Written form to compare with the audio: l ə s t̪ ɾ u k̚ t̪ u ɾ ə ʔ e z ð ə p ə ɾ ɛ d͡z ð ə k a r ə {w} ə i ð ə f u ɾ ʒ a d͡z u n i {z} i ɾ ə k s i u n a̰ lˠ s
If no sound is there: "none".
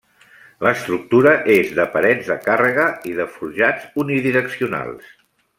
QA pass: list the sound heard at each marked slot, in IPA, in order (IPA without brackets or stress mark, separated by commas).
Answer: ɣ, ð